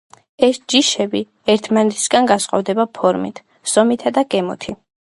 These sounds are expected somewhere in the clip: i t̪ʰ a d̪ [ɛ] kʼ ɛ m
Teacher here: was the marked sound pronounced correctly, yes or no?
no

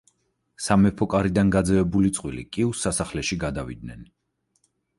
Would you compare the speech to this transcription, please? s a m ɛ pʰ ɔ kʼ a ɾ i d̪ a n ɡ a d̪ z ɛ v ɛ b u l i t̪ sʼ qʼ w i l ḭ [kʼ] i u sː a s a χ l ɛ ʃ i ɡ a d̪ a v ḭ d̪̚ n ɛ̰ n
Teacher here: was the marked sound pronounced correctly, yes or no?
yes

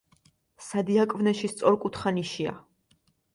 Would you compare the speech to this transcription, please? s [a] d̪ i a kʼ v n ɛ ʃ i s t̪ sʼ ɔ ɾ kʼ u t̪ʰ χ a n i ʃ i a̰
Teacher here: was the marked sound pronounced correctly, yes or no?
yes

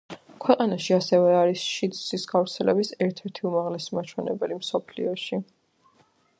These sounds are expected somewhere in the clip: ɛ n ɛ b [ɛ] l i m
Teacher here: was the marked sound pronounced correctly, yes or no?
yes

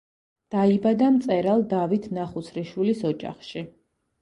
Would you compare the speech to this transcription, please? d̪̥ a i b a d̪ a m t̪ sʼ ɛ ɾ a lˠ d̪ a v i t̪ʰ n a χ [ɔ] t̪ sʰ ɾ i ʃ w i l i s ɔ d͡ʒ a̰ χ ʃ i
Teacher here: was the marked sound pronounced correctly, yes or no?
no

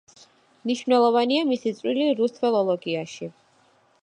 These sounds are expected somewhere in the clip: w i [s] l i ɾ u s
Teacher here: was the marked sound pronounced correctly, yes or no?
no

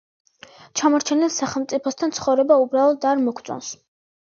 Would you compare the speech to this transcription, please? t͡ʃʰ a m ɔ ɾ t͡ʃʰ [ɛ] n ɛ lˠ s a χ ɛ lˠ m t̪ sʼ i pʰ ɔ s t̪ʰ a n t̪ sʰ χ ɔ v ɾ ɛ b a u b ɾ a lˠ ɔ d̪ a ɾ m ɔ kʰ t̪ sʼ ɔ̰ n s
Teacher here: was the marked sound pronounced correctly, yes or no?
yes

